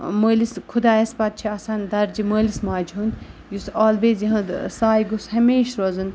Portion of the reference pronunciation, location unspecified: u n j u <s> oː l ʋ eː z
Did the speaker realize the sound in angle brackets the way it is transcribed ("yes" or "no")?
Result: yes